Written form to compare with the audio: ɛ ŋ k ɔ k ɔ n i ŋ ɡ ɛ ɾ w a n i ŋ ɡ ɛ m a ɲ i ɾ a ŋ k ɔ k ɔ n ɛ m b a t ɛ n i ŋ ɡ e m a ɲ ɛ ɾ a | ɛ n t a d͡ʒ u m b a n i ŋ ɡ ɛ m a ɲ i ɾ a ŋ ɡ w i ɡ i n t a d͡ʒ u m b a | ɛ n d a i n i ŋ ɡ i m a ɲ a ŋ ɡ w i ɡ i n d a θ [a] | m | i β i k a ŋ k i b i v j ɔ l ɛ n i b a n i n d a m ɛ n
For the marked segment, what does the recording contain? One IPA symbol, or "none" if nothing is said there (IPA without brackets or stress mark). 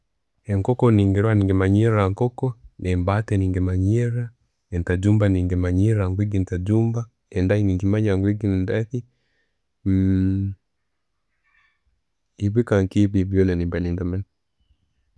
i